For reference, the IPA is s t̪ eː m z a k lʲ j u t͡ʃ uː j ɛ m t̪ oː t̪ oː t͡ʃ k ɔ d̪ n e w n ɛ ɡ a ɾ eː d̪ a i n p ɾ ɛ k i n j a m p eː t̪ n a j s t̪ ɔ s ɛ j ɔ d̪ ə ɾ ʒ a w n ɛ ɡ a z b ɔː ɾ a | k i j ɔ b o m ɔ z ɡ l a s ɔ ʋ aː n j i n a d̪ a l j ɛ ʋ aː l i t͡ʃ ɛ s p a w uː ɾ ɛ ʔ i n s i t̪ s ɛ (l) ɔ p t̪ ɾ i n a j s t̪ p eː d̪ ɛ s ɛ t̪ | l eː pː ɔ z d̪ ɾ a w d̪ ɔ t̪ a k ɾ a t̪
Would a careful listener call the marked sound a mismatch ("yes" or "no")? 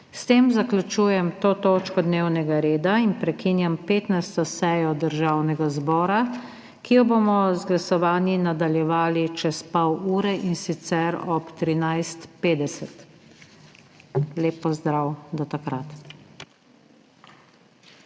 yes